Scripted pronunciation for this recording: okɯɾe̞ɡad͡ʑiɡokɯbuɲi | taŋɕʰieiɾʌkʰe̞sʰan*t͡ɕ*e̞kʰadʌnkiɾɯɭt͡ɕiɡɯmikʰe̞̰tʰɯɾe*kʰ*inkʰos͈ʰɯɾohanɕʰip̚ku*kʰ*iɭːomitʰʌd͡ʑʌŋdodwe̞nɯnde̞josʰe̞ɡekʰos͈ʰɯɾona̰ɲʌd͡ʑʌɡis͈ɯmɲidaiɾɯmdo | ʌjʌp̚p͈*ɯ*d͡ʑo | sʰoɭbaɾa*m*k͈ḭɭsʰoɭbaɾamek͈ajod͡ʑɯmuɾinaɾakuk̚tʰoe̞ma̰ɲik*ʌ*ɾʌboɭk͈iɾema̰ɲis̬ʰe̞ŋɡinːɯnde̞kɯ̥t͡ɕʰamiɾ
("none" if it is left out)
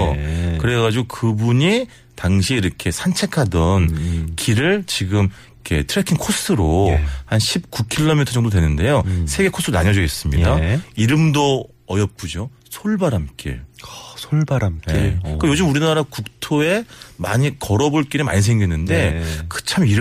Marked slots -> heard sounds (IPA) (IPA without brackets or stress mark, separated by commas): t͡ɕʰ, kʰ, kʰ, u, m, ʌ